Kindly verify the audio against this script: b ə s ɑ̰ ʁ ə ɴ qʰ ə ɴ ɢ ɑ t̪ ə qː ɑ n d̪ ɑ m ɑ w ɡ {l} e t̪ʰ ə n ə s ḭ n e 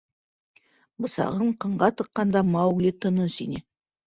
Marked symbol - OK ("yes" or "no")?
yes